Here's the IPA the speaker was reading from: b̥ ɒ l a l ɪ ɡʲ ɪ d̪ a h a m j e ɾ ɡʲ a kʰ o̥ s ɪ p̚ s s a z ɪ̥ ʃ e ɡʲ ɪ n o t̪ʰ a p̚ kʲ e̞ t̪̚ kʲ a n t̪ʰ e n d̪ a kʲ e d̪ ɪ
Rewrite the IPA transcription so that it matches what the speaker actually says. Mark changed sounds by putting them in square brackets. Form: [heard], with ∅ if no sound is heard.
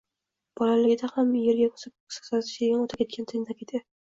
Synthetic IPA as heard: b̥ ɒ l a l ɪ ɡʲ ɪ d̪ a h a m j e ɾ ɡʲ a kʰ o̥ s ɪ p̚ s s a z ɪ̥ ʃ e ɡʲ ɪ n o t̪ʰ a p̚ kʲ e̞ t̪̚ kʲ a n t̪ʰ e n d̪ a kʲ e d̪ ɪ